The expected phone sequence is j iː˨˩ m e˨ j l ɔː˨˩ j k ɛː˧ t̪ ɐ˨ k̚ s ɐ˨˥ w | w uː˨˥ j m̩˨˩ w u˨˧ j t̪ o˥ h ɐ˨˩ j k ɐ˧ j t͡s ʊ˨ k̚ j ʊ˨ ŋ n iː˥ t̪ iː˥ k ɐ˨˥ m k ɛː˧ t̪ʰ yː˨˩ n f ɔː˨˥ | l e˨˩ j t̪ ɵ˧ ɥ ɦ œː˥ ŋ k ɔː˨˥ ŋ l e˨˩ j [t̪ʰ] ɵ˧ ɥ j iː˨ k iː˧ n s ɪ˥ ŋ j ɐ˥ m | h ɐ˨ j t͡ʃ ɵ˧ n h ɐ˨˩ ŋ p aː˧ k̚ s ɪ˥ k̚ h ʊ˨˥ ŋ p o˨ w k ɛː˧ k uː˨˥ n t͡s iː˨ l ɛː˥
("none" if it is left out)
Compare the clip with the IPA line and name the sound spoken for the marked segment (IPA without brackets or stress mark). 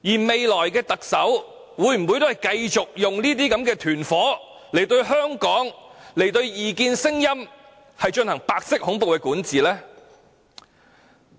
t̪